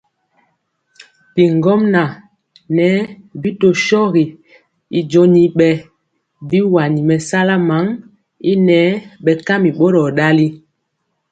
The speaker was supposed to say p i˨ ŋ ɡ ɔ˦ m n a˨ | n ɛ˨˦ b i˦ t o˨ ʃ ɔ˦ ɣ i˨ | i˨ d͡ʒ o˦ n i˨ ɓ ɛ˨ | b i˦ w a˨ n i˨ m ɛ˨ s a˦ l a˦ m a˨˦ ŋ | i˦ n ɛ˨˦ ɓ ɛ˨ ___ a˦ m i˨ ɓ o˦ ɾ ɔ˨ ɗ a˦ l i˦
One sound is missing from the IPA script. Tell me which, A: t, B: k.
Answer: B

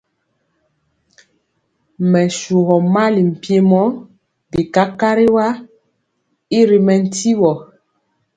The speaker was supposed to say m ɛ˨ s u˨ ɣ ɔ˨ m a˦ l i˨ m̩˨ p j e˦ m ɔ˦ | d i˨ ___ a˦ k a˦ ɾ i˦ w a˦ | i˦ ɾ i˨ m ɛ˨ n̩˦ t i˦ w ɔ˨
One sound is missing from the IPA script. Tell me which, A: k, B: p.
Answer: A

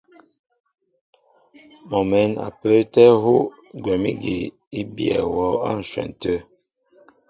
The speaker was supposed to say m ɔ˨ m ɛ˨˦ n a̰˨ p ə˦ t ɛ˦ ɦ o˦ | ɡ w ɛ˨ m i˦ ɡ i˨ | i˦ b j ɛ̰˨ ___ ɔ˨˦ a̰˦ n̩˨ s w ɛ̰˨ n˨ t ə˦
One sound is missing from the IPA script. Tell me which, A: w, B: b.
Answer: A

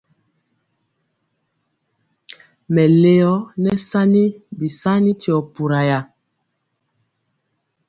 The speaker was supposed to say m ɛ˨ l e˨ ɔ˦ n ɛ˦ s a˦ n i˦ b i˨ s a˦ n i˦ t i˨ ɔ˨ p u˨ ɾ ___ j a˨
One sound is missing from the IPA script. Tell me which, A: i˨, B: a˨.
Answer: B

